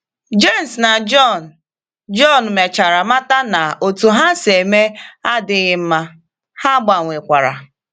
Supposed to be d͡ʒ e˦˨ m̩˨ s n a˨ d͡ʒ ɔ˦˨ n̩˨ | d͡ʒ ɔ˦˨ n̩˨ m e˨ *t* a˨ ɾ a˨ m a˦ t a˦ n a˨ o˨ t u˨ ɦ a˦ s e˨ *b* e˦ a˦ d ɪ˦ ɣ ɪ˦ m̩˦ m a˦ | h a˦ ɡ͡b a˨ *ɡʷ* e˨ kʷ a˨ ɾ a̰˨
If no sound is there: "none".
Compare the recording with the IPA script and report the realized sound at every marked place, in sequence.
t͡ʃ, m, ŋʷ

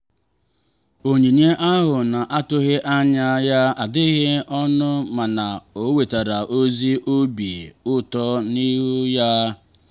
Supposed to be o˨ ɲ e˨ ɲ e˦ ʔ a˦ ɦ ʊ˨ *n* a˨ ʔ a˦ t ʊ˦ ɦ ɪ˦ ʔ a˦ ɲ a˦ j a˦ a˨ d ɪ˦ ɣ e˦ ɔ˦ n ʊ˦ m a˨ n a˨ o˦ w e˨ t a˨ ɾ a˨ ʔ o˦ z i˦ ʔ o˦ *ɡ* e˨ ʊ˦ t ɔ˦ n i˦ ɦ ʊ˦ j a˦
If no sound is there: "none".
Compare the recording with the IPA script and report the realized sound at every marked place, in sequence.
n, b

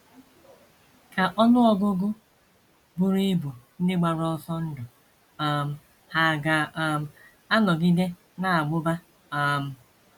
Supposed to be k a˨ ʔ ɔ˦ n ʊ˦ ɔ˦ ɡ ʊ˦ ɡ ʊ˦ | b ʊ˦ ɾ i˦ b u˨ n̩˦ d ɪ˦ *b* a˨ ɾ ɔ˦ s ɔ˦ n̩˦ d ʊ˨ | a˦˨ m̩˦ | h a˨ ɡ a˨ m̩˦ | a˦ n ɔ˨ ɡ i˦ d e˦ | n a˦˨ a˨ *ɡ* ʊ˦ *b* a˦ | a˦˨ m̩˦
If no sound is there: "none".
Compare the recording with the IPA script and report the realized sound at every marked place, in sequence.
ɡ͡b, ɡ͡b, b

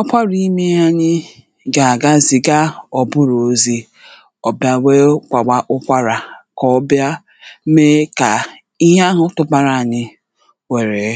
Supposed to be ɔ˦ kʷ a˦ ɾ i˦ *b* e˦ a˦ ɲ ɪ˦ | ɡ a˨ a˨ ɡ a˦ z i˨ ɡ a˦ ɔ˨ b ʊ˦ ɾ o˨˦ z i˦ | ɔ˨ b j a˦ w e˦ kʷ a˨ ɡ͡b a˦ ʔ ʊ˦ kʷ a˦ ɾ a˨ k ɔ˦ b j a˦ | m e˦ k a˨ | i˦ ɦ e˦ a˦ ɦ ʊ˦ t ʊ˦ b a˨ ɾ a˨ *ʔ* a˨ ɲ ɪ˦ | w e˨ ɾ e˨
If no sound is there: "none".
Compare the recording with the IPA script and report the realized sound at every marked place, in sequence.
m, none

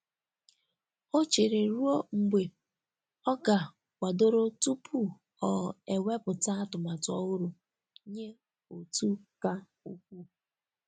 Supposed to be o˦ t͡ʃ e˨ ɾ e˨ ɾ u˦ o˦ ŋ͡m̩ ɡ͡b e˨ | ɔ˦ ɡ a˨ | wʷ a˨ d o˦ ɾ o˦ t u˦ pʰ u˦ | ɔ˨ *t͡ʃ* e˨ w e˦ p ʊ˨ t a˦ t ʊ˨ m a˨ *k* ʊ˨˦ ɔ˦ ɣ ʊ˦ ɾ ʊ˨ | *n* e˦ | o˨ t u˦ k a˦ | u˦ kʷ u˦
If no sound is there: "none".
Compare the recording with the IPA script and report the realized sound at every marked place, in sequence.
none, t, ɲ

